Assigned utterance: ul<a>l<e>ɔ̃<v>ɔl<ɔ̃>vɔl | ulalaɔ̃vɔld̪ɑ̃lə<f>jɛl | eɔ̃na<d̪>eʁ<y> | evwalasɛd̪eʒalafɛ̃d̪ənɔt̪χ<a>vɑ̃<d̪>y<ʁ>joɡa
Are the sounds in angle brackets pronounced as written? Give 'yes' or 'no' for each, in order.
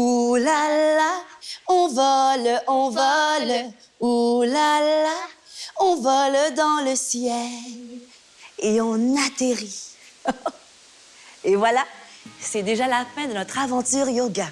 yes, no, yes, yes, no, no, no, yes, no, yes

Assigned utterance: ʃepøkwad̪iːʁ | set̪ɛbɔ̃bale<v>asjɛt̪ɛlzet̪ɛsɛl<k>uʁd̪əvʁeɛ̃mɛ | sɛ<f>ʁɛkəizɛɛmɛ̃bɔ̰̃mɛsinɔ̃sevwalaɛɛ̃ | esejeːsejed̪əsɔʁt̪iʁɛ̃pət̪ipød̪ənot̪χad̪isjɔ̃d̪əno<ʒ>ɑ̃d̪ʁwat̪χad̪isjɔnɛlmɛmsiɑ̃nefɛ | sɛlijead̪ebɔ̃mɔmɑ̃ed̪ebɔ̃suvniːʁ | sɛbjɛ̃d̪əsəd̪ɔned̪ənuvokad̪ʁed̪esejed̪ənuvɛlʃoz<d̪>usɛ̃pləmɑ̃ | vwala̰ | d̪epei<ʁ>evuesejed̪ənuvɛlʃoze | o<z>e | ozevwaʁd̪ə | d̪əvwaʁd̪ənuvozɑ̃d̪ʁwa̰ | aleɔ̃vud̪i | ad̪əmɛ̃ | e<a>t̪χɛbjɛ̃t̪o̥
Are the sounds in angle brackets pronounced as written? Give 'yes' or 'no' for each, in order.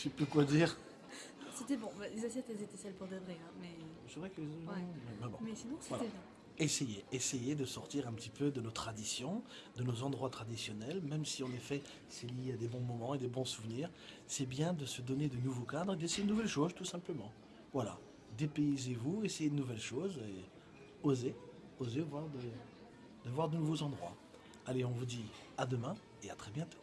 no, no, no, no, no, no, yes, yes

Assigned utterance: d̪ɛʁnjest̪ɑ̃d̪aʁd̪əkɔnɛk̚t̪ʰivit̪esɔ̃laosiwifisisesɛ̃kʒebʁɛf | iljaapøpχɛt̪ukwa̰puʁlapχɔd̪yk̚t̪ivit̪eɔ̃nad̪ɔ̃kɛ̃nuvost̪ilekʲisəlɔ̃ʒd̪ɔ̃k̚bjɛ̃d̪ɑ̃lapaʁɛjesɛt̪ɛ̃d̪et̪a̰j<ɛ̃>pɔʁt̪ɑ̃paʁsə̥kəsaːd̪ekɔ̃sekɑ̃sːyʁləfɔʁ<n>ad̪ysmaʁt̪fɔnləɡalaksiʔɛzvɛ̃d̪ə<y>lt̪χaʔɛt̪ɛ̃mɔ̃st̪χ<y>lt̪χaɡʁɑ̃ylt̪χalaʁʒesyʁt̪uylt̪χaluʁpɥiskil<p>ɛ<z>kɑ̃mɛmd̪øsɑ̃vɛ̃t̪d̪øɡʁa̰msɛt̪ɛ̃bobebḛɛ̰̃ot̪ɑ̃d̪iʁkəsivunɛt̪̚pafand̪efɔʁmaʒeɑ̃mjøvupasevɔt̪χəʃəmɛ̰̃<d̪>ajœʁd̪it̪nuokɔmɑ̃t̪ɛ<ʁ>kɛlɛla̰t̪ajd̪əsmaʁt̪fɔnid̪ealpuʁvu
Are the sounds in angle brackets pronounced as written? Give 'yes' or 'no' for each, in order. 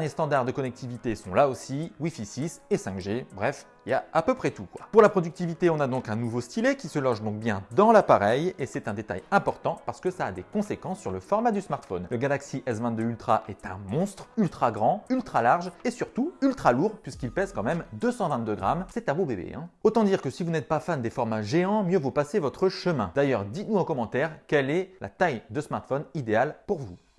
yes, no, yes, yes, yes, yes, yes, yes

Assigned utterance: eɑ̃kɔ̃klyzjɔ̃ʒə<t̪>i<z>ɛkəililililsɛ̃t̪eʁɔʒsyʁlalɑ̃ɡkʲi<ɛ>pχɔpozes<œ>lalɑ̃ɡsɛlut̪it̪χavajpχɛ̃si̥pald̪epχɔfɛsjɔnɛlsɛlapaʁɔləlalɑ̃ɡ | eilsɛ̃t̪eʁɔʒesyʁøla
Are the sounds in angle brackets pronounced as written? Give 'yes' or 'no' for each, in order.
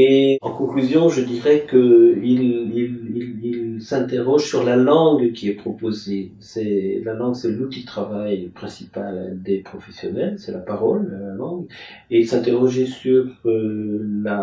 no, no, yes, no

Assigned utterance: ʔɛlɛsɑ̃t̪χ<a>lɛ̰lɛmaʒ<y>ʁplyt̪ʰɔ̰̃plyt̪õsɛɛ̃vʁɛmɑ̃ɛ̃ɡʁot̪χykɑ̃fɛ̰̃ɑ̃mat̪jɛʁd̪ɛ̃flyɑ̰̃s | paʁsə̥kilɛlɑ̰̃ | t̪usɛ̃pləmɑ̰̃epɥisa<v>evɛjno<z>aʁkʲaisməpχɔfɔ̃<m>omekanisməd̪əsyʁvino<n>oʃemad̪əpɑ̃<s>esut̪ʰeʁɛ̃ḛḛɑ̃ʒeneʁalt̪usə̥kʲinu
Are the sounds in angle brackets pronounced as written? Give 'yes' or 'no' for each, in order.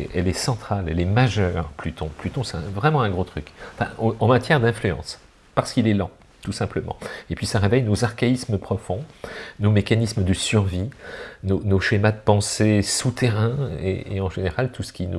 yes, no, no, yes, no, yes, yes

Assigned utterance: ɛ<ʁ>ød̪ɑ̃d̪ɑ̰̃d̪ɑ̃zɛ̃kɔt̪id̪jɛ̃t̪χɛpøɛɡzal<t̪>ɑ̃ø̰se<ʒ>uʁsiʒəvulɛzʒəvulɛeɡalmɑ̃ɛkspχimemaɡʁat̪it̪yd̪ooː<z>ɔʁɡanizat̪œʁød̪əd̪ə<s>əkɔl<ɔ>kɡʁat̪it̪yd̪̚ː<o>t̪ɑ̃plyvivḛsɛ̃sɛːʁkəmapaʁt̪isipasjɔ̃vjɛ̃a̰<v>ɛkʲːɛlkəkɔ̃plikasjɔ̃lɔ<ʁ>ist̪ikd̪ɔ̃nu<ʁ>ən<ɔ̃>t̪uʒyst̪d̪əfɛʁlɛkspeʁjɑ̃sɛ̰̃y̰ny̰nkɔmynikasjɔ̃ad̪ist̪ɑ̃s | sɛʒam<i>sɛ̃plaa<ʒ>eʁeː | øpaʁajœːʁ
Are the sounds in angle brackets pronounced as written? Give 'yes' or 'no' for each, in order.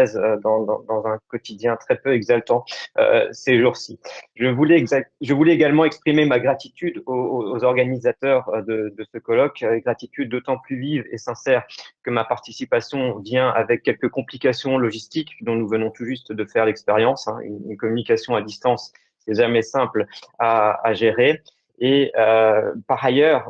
no, yes, yes, yes, yes, yes, yes, yes, no, no, yes, no, yes

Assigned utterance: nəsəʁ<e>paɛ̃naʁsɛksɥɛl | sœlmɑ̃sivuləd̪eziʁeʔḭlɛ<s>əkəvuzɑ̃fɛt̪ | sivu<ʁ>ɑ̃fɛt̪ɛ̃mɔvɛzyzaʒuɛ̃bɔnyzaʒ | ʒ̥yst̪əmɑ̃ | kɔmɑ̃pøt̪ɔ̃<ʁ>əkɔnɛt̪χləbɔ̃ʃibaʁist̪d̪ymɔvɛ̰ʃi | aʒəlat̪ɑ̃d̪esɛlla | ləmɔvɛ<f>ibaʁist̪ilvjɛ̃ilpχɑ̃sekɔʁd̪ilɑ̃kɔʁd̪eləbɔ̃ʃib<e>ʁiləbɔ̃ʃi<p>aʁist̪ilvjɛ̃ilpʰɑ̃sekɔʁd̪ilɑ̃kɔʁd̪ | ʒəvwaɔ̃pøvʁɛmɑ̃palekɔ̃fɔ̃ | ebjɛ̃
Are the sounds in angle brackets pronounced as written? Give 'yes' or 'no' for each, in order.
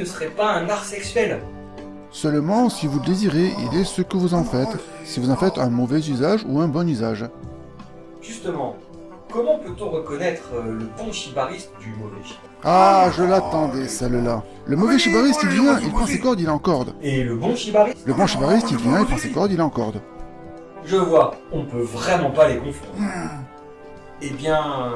no, yes, no, yes, no, no, no

